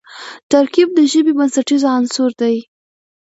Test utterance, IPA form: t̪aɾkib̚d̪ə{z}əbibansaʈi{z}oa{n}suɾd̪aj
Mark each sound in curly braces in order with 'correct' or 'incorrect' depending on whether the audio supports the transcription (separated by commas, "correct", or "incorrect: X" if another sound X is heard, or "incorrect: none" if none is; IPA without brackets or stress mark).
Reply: incorrect: ʒ, correct, correct